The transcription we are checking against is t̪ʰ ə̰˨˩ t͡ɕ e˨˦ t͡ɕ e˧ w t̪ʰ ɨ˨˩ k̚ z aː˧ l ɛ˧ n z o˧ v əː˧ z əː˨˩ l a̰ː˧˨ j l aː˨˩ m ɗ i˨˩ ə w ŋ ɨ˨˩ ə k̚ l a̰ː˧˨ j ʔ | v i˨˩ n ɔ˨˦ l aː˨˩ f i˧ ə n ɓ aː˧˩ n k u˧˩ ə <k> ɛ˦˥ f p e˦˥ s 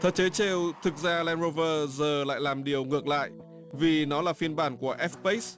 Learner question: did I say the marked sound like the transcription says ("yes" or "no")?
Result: no